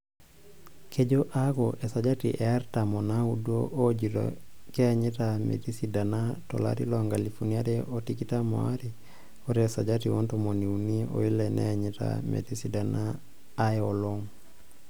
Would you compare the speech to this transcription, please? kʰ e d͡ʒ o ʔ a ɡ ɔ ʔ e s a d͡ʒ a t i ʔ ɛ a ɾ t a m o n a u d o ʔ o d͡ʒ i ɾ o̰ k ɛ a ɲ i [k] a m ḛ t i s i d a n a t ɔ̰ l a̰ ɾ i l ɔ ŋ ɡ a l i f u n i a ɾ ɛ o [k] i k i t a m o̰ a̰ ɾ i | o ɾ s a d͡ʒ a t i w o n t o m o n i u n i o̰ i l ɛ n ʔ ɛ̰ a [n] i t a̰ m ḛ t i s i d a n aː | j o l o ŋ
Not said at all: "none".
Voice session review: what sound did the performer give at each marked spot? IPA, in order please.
t, t, ɲ

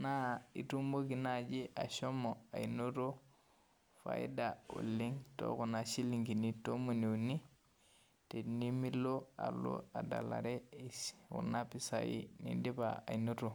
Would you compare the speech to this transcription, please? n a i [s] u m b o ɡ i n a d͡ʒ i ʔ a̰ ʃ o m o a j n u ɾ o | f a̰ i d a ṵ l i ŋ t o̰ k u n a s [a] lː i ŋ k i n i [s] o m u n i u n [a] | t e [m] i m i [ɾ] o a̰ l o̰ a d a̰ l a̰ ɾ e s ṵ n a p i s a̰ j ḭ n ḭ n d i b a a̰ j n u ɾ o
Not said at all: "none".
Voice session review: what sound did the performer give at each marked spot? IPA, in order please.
t, i, t, i, n, l

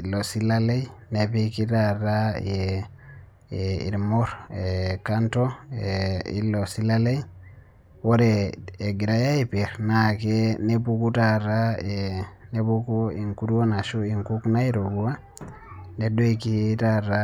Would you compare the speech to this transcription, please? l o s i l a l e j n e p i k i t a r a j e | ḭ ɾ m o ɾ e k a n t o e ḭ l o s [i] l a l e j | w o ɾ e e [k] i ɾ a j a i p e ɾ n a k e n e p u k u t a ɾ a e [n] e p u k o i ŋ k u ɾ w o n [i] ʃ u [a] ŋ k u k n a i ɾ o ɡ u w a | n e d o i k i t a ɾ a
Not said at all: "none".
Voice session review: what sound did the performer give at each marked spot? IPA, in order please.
i, ɡ, n, a, i

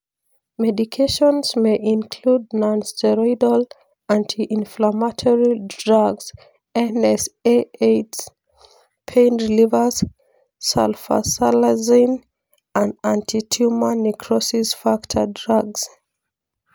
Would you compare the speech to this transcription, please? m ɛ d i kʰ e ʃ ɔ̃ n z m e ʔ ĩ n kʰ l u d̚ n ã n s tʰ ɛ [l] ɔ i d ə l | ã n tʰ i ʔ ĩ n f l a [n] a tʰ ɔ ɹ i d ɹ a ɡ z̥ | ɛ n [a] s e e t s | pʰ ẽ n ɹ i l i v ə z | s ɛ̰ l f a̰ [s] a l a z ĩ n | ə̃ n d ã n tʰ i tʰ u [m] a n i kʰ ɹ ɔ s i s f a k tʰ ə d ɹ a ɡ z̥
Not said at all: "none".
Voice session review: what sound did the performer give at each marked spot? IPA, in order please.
ɹ, m, ɛ, s, m

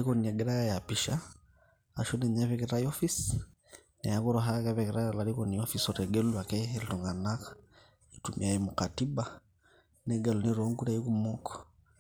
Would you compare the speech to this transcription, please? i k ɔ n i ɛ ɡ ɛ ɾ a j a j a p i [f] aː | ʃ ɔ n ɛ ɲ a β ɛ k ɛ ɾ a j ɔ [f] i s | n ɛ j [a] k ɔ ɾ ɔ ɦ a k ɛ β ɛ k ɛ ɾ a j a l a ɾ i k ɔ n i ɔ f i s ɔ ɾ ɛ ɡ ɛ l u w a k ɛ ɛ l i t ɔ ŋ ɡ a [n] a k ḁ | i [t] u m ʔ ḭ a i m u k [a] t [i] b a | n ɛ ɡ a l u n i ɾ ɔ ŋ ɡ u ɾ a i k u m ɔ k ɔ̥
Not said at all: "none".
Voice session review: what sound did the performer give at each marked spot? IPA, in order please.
ʃ, f, a, n, t, a, i

